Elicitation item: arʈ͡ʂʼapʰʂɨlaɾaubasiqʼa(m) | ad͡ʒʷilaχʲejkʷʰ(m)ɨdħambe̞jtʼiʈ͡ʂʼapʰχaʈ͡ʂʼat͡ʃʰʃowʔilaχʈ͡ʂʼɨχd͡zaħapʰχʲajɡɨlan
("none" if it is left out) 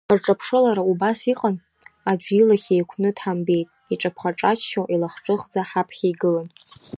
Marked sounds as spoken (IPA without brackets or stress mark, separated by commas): n, n